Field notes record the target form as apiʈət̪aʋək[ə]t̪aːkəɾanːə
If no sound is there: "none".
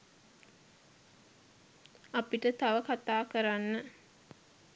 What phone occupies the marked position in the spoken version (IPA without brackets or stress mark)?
a